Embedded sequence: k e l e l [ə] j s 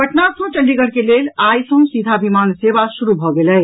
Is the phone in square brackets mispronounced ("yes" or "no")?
yes